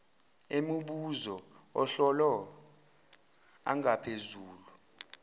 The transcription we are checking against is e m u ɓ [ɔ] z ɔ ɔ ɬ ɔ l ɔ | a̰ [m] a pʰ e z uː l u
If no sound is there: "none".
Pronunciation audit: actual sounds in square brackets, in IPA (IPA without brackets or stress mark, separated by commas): u, ŋ